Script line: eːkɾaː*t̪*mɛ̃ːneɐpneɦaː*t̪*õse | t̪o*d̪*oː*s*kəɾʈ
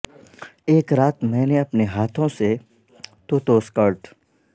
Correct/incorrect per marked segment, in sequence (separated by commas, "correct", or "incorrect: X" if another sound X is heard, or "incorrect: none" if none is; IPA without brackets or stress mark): correct, incorrect: t̪ʰ, incorrect: t̪, correct